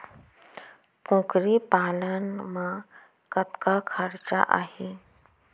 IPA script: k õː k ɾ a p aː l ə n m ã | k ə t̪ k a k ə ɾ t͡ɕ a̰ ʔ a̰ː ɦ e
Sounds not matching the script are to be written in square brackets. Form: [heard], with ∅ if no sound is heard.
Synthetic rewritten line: k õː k ɾ [i] p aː l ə n m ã | k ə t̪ k a [kʰ] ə ɾ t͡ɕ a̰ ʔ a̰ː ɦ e